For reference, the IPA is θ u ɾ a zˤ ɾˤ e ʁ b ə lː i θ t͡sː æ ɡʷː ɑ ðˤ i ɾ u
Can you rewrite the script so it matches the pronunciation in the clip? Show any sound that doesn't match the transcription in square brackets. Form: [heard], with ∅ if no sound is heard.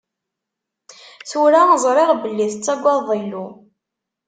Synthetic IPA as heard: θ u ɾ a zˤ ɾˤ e ʁ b ə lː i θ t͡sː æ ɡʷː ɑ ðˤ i [l] u